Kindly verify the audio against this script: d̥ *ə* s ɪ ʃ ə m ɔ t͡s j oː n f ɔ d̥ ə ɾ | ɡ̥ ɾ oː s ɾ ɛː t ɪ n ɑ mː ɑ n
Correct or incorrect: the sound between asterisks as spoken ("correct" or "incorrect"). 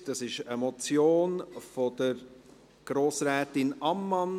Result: incorrect